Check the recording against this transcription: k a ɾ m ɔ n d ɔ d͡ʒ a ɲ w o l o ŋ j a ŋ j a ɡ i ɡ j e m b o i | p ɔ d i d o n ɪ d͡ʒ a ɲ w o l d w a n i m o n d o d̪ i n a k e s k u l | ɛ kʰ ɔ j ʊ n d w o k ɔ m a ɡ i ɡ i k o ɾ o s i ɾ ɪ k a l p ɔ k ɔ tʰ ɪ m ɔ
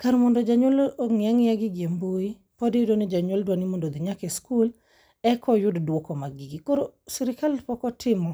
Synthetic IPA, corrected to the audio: k a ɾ m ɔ n d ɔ d͡ʒ a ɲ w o l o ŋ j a ŋ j a ɡ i ɡ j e m b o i | p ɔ d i d o n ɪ d͡ʒ a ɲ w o l d w a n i m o n d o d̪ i ɲ a k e s k u l | ɛ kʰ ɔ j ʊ d d w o k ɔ m a ɡ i ɡ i k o ɾ o s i ɾ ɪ k a l p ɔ k ɔ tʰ ɪ m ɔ